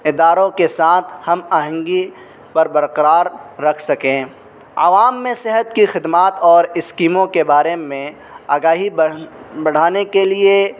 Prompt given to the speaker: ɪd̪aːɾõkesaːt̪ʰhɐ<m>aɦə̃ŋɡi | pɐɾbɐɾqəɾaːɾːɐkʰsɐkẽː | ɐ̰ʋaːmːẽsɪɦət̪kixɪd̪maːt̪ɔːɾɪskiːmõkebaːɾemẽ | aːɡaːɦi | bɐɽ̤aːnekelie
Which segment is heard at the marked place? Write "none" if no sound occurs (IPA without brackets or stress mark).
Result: m